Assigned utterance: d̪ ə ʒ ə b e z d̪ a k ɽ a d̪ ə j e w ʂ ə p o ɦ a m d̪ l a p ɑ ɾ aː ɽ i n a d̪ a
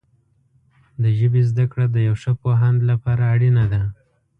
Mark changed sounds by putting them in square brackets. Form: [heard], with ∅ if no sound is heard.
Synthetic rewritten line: d̪ ə ʒ ə b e z d̪ a k ɽ a d̪ ə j [a] w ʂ ə p o ɦ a [n] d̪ l a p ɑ ɾ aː ɽ i n a d̪ a